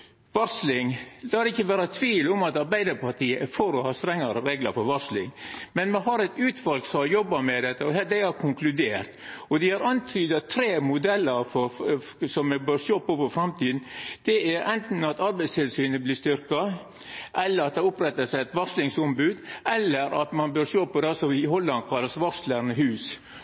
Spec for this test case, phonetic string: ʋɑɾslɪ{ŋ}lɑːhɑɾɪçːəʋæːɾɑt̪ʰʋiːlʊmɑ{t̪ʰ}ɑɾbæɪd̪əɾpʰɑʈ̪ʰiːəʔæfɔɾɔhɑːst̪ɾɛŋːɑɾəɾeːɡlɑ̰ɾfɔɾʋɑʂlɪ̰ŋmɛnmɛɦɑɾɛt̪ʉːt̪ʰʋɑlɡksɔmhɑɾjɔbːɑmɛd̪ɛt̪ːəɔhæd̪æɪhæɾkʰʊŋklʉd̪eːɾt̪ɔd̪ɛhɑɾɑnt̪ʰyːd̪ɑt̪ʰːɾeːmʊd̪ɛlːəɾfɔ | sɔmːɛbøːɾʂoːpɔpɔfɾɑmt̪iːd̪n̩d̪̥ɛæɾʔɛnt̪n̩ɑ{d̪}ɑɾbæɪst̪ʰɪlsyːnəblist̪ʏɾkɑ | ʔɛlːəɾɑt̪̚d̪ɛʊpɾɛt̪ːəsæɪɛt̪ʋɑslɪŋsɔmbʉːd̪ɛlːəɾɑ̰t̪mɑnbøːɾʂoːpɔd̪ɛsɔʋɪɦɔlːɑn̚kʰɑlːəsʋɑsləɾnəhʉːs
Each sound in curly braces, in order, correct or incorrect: correct, incorrect, incorrect

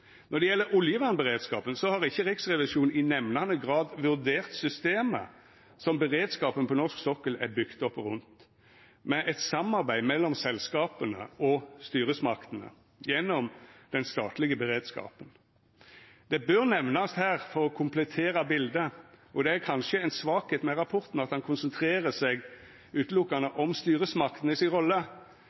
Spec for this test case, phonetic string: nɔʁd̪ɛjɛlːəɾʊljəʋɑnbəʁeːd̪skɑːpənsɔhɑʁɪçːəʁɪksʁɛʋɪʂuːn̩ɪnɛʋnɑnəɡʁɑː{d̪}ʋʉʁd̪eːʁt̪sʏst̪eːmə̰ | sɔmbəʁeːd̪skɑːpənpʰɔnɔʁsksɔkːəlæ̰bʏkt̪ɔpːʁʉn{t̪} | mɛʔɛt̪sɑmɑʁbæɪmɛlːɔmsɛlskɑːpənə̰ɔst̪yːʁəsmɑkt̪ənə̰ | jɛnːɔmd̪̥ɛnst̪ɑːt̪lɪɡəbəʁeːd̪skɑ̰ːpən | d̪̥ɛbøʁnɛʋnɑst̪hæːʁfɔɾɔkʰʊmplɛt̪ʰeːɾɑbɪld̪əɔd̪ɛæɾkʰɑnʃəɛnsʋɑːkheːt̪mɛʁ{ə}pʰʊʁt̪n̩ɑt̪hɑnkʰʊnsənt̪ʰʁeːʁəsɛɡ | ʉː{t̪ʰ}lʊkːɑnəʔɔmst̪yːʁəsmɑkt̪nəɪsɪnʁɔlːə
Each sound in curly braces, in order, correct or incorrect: correct, correct, incorrect, incorrect

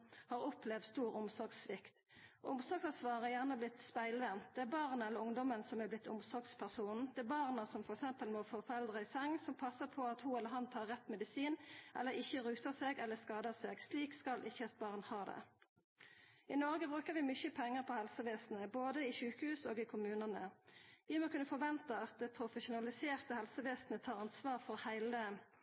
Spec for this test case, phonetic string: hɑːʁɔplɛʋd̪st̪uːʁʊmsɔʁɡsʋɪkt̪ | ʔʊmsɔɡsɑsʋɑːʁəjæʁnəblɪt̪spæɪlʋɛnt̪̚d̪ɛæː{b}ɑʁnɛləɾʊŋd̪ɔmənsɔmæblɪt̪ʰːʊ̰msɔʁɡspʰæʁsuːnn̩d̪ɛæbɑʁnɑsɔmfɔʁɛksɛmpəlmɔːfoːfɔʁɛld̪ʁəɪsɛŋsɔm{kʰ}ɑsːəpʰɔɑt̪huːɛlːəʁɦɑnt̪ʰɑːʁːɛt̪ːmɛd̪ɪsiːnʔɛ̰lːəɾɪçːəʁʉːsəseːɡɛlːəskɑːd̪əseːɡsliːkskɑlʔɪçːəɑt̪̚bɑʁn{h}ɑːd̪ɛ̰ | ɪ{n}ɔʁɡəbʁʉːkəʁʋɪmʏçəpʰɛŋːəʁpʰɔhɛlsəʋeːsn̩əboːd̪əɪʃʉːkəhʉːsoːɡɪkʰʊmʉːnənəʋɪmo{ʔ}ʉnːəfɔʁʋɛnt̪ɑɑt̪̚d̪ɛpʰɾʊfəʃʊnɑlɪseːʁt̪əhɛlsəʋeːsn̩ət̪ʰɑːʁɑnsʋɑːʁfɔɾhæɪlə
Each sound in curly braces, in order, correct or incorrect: correct, incorrect, correct, correct, incorrect

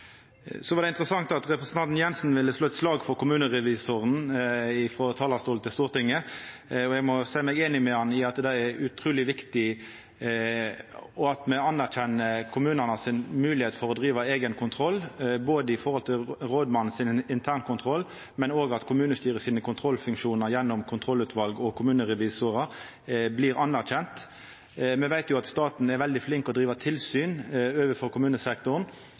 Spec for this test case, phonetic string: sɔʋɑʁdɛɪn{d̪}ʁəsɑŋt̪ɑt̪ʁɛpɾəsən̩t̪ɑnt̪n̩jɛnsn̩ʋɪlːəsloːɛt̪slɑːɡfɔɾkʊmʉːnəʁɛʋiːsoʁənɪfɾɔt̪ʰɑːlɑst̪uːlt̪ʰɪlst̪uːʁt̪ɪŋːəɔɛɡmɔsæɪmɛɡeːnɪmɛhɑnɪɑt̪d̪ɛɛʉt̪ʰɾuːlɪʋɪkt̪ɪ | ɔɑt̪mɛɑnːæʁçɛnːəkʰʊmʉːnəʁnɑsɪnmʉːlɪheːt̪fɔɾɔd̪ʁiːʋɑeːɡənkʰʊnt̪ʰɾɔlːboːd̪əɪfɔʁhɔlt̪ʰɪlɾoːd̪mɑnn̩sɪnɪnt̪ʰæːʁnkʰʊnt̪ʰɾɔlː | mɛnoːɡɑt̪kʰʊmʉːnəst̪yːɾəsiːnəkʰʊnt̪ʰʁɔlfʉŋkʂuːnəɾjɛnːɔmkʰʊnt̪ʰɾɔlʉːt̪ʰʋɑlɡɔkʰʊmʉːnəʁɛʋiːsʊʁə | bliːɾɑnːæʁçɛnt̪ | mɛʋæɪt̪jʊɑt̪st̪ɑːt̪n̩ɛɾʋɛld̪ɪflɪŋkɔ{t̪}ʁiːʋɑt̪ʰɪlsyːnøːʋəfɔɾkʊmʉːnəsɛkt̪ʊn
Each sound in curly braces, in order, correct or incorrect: incorrect, incorrect

